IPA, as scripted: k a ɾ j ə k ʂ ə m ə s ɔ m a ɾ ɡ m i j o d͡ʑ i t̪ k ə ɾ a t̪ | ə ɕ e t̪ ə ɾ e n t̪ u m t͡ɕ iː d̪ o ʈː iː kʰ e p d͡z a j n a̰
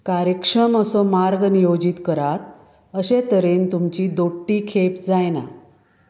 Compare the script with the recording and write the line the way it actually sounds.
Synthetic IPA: k a ɾ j ə k ʂ ə m ə s ɔ m a ɾ ɡ n i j o d͡ʑ i t̪ k ə ɾ a t̪ | ə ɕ e t̪ ə ɾ e n t̪ u m t͡ɕ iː d̪ o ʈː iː kʰ e p d͡z a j n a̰